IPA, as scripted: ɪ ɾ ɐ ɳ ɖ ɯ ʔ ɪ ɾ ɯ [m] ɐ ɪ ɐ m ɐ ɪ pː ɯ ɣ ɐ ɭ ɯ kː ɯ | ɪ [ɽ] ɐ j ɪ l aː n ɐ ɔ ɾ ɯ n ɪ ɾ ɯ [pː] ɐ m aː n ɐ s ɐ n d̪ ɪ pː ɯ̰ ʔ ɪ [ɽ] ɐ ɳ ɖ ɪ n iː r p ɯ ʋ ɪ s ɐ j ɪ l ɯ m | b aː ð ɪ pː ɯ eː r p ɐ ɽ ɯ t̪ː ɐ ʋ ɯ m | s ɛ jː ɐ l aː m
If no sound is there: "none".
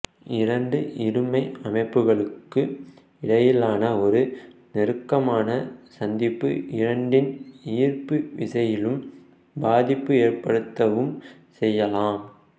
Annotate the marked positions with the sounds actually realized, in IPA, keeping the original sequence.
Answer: m, ɽ, kː, ɾ

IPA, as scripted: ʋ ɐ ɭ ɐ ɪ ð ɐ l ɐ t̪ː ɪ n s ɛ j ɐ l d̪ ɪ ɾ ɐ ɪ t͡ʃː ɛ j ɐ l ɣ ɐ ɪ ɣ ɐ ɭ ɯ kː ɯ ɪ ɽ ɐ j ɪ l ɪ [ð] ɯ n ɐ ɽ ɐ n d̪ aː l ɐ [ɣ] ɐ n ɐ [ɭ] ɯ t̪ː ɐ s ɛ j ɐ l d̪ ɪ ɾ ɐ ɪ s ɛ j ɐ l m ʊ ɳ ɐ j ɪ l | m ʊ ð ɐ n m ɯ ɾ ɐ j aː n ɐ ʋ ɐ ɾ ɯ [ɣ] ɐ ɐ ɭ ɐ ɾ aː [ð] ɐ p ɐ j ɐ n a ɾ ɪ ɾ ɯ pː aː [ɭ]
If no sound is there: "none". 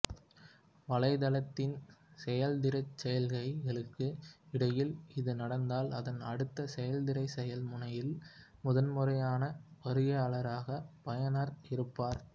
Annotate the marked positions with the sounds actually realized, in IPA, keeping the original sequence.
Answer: ð, ð, ɽ, ɣ, ɣ, ɾ

